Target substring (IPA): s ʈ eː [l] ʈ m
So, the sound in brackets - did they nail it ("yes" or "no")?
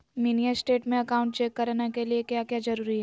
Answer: no